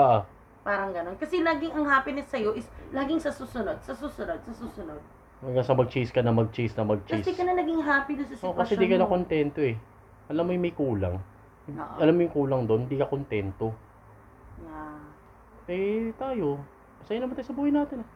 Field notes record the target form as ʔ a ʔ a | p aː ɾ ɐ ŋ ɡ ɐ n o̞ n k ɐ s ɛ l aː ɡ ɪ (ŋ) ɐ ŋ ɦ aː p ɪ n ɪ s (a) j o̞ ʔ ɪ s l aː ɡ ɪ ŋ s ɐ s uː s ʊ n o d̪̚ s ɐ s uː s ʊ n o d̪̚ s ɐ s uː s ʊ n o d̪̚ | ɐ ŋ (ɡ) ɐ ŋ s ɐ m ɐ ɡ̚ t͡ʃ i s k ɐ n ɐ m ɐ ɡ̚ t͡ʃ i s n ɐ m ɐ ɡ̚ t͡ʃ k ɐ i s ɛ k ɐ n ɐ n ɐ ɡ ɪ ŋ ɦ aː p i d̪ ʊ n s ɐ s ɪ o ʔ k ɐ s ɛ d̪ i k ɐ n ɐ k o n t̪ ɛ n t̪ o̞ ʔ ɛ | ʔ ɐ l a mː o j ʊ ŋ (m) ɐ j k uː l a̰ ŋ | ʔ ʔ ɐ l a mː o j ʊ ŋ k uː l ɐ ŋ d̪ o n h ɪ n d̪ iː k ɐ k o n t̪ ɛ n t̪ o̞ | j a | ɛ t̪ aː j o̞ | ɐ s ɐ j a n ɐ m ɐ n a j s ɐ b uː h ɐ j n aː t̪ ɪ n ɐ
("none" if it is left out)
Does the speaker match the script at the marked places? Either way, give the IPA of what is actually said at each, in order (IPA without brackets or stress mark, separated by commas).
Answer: ŋ, ɐ, ɡ, m